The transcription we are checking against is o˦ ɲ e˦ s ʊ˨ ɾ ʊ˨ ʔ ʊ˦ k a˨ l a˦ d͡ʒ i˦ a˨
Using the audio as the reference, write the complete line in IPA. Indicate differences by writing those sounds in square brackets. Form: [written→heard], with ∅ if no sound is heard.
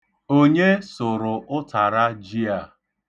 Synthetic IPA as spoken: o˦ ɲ e˦ s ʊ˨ ɾ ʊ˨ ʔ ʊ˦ [k→t] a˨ [l→ɾ] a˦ d͡ʒ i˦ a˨